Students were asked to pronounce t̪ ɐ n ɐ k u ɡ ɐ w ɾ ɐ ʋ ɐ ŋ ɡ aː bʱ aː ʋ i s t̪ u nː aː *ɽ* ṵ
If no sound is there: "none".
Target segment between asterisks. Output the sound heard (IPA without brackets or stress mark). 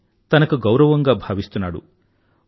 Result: ɽ